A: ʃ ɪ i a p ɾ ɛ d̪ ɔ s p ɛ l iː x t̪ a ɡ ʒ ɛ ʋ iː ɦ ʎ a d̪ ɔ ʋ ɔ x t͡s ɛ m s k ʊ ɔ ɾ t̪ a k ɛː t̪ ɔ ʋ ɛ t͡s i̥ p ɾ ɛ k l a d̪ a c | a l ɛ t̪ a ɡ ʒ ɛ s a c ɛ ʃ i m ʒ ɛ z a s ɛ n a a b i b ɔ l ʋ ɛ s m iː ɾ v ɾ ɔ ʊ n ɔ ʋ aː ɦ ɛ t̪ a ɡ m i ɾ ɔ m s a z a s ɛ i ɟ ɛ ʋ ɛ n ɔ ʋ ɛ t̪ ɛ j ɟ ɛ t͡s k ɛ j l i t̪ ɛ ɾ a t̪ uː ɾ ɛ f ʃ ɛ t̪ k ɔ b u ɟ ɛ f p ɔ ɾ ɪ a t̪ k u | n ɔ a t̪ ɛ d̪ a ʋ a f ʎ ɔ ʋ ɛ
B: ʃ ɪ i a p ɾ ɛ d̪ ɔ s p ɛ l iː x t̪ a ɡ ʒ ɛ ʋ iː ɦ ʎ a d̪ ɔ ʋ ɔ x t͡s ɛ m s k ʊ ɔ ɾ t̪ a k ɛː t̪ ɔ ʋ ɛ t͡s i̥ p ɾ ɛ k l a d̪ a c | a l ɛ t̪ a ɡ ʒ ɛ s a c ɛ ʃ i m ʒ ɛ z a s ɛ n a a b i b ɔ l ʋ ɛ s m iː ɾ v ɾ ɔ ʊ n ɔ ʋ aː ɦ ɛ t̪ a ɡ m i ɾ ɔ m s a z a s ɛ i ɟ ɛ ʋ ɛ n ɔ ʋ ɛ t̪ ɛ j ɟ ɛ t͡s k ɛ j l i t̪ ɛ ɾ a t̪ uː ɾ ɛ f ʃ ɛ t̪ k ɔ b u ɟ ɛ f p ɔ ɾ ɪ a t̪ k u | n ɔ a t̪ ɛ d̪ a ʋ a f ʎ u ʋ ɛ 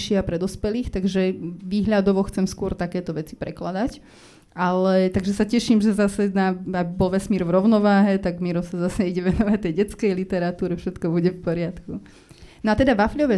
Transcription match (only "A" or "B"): A